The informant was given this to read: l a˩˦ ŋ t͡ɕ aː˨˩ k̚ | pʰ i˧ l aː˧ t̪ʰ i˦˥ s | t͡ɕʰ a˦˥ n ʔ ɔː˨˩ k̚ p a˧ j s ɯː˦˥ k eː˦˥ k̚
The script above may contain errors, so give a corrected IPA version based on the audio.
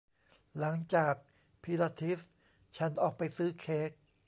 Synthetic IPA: l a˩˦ ŋ t͡ɕ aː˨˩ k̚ | pʰ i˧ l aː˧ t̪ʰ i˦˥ s | t͡ɕʰ a˦˥ n ʔ ɔː˨˩ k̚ p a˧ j s ɯː˦˥ kʰ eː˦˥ k̚